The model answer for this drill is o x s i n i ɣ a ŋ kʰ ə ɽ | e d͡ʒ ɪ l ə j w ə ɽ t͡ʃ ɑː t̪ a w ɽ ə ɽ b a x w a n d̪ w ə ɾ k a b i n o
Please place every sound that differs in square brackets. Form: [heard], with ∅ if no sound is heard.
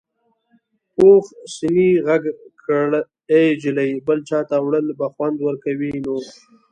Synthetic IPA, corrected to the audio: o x s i n i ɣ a [ɡ] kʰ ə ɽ | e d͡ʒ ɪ l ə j [b] ə [l] t͡ʃ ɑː t̪ a w ɽ ə [l] b a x w a n d̪ w ə ɾ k a [w] i n o